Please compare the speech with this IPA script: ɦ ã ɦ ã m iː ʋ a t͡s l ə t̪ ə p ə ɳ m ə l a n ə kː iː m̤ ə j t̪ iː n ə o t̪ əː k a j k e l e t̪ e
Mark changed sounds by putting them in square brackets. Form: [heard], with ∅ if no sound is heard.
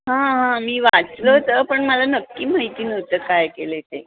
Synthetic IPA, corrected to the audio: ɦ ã ɦ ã m iː ʋ a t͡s l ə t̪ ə p ə ɳ m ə l a n ə kː iː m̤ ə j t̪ iː n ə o t̪ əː k a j k e l e t̪ e